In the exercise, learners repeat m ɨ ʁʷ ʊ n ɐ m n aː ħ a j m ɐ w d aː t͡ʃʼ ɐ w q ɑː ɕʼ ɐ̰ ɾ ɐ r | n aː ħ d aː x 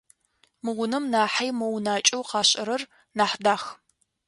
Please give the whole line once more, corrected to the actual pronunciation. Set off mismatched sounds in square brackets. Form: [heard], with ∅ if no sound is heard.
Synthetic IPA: m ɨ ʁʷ ʊ n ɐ m n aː ħ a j m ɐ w [n] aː t͡ʃʼ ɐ w q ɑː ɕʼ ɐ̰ ɾ ɐ r | n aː ħ d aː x